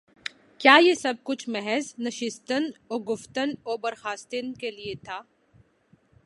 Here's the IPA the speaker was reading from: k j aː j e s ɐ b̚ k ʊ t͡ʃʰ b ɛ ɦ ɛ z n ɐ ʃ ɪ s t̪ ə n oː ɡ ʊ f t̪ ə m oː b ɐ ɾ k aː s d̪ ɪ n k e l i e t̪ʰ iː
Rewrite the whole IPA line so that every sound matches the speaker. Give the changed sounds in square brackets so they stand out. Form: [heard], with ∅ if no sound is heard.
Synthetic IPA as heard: k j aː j e s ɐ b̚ k ʊ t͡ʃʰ [m] ɛ ɦ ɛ z n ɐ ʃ ɪ s t̪ ə n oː ɡ ʊ f t̪ ə [n] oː b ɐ ɾ [x] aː s [t̪] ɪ n k e l i e t̪ʰ [aː]

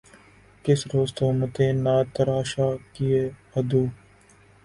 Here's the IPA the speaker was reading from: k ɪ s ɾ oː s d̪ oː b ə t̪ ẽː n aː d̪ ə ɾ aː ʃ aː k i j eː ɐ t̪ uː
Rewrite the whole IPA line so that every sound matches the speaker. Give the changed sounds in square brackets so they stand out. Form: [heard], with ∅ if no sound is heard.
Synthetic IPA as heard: k ɪ s ɾ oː s [t̪] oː [m] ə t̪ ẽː n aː [t̪] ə ɾ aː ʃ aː k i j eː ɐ [d̪] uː

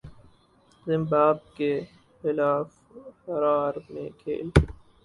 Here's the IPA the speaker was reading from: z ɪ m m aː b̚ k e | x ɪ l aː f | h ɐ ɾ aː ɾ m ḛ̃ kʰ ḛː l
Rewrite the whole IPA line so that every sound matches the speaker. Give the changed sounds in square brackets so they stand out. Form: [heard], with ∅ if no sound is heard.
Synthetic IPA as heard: z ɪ m [b] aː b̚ k e | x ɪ l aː f | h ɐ ɾ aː ɾ m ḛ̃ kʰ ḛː l

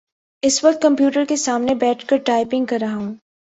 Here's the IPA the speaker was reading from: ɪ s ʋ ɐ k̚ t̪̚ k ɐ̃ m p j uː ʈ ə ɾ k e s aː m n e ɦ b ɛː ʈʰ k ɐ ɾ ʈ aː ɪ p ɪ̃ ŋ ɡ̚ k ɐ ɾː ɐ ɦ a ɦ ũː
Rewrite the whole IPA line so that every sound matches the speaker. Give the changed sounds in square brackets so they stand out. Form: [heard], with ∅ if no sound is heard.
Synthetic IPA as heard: ɪ s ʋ ɐ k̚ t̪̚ k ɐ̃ m p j uː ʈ ə ɾ k e s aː m n e [∅] b ɛː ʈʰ k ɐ ɾ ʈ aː ɪ p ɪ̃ ŋ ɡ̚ k ɐ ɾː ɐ ɦ a ɦ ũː

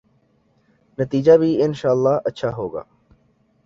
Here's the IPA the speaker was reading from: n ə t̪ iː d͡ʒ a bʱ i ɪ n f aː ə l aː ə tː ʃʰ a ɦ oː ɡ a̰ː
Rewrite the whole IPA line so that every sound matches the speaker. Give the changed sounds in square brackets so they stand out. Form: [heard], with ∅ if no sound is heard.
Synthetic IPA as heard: n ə t̪ iː d͡ʒ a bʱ i ɪ n [ʃ] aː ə [lː] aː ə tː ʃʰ a ɦ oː ɡ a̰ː

